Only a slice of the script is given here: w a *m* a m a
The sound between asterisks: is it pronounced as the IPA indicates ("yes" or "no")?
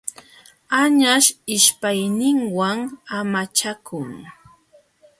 no